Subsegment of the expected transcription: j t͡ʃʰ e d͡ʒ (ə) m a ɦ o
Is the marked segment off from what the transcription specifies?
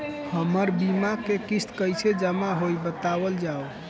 no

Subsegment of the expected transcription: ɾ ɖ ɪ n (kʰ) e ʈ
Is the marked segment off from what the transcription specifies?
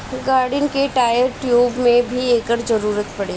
yes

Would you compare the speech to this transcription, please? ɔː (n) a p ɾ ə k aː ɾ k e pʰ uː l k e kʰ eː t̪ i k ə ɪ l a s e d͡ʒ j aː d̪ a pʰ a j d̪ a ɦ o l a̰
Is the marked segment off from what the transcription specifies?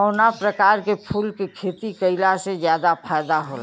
no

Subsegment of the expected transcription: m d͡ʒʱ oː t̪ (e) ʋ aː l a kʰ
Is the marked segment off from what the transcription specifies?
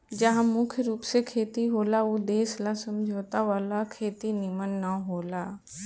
yes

